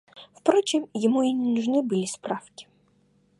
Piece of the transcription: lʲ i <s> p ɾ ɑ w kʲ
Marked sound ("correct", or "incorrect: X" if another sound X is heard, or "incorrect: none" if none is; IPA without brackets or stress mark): correct